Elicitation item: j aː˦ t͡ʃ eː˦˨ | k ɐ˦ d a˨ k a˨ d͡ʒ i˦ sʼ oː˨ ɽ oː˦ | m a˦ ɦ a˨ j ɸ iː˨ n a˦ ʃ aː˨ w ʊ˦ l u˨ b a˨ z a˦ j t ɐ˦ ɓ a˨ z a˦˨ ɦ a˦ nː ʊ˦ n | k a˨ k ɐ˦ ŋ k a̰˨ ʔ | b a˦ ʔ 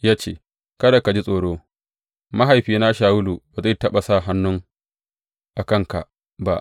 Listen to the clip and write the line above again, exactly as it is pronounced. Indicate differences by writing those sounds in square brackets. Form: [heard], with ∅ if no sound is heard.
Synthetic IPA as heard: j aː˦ t͡ʃ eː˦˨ | k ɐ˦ d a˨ k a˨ d͡ʒ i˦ sʼ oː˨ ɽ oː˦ | m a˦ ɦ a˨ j ɸ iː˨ n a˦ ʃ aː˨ w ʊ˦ l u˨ b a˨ z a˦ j t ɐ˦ ɓ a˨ [s] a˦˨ ɦ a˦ nː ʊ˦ [ŋ] | [ʔ] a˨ k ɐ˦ ŋ k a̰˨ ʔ | b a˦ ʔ